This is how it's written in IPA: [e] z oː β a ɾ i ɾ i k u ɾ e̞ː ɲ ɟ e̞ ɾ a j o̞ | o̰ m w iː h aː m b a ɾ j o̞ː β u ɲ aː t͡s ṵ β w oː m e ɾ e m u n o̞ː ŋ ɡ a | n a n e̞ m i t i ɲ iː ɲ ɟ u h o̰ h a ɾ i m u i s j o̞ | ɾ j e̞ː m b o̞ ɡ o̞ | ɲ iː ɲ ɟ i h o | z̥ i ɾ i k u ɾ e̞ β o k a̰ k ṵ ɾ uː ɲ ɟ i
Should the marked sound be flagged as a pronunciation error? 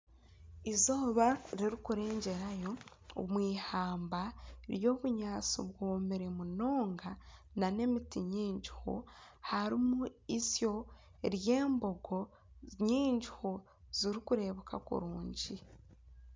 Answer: yes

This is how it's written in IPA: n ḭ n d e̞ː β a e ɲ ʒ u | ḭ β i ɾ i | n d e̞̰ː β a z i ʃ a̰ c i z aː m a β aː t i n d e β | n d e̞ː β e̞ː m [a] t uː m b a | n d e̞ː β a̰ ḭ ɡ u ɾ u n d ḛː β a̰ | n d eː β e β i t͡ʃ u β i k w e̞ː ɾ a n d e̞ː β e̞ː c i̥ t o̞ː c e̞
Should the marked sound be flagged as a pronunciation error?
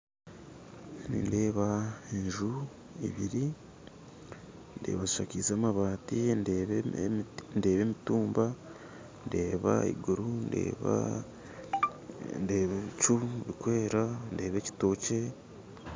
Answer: yes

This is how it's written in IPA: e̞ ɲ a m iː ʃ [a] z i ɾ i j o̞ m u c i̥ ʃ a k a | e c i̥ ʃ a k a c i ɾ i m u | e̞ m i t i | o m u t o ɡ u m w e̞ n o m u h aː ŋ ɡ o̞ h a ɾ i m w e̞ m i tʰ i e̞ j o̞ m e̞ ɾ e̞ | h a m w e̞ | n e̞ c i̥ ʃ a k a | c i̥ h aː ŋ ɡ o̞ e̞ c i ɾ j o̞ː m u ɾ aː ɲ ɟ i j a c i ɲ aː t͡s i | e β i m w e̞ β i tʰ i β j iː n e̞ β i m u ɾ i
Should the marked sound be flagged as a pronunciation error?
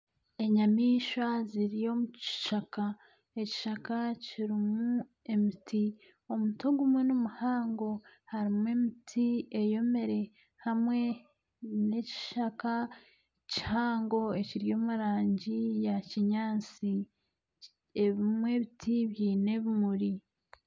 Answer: no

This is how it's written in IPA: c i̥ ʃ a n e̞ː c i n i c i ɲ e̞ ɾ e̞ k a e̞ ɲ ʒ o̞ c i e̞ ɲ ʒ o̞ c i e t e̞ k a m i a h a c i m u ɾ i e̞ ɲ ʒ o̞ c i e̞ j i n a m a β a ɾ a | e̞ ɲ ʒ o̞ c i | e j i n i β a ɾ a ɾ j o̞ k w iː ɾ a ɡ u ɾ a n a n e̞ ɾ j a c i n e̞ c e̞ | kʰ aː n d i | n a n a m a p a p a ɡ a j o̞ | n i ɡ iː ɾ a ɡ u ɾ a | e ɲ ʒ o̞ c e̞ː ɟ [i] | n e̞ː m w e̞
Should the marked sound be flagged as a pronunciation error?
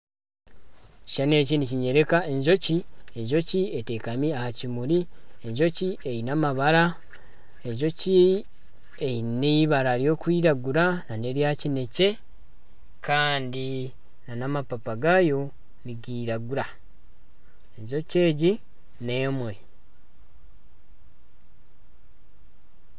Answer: no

